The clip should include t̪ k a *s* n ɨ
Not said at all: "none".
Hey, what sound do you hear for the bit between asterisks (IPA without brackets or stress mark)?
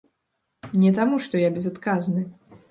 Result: z